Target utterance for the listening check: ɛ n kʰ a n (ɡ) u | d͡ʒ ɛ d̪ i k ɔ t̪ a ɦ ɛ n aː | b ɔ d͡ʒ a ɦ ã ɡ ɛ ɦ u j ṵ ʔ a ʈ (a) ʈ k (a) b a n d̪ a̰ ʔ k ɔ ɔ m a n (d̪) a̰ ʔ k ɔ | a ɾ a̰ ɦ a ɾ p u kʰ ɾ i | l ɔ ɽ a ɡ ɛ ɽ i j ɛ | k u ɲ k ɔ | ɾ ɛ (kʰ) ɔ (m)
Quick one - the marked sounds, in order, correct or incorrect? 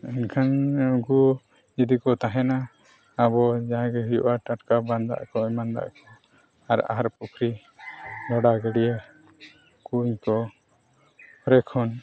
correct, correct, correct, correct, correct, incorrect

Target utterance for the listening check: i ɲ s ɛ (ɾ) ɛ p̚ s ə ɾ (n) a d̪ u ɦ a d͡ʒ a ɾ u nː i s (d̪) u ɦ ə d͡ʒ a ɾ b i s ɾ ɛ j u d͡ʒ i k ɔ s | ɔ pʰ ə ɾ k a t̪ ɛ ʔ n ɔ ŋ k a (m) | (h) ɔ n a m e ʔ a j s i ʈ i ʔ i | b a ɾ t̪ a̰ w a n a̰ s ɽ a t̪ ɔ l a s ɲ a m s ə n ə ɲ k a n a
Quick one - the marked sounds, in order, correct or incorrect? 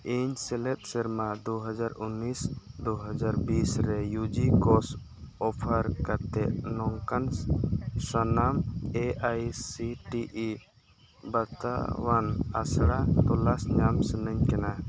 incorrect, incorrect, correct, incorrect, incorrect

